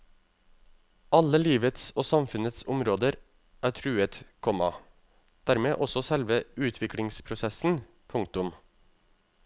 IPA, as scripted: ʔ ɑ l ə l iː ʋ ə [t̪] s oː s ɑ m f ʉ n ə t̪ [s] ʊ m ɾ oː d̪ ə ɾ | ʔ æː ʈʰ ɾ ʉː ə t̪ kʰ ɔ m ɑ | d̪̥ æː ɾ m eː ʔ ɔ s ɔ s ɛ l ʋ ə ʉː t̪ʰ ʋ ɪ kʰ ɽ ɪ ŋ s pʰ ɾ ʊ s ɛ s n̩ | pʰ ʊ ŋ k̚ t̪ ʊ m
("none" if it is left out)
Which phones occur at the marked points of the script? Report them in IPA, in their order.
t̪, s

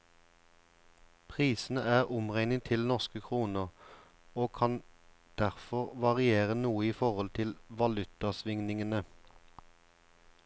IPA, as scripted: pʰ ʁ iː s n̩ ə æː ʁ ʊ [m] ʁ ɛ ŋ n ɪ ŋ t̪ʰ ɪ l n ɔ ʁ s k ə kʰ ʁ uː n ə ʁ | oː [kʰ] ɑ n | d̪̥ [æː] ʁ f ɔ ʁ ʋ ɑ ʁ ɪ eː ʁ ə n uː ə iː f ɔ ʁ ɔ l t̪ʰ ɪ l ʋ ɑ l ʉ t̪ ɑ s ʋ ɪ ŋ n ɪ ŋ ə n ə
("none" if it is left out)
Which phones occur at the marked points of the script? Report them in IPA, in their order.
m, kʰ, æ

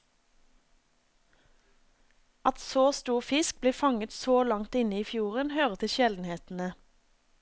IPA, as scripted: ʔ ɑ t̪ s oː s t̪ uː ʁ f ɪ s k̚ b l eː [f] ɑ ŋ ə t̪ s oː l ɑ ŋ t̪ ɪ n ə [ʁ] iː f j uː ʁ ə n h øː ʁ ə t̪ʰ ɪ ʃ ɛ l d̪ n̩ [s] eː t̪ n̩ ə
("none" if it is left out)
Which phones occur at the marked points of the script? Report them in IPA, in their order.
f, none, h

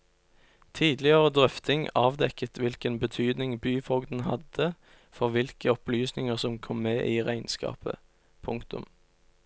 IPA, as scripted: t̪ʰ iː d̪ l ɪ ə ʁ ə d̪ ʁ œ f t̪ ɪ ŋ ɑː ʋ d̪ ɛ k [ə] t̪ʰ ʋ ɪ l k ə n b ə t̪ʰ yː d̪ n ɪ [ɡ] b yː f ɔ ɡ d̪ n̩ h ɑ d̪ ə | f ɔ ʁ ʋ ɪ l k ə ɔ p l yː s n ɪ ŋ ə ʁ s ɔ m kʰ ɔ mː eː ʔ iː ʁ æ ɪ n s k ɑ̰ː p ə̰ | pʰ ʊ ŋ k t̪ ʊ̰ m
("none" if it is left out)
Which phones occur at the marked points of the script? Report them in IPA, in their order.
ə, ŋ

